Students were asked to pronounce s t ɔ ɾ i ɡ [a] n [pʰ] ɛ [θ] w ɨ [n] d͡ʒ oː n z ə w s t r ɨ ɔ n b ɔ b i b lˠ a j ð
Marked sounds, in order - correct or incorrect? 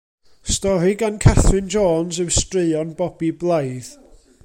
correct, incorrect, correct, correct

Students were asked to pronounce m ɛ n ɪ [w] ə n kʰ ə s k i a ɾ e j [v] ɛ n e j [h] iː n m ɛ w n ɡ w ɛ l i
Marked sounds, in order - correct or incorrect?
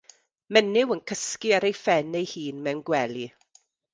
correct, incorrect, correct

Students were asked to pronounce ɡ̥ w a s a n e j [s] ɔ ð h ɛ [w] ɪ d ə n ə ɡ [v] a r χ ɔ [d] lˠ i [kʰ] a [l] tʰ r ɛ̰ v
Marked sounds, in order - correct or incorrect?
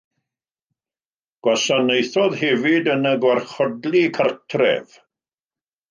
incorrect, incorrect, incorrect, correct, correct, incorrect

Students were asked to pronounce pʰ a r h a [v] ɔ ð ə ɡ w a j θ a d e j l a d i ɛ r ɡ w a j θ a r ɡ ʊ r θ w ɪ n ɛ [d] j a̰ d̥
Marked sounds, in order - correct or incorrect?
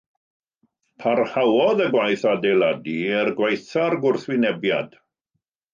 incorrect, incorrect

